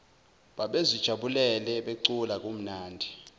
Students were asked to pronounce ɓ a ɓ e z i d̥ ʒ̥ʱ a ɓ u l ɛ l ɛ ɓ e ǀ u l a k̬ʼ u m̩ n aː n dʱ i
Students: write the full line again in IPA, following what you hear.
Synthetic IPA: ɓ a ɓ e z i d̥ ʒ̥ʱ a ɓ u l ɛ l ɛ ɓ e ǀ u l a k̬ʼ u m̩ n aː n dʱ i